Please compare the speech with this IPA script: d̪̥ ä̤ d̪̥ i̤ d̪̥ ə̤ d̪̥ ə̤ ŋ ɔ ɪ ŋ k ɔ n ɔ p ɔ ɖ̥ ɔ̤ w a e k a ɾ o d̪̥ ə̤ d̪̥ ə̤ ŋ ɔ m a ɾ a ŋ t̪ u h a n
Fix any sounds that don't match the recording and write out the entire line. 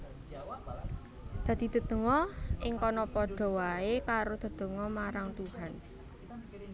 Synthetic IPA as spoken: d̪̥ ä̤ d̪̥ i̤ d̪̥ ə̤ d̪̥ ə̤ ŋ ɔ ɪ ŋ k ɔ n ɔ p ɔ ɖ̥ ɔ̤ w a e k a ɾ o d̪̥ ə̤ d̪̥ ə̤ ŋ ɔ m a ɾ a ŋ t̪ u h a n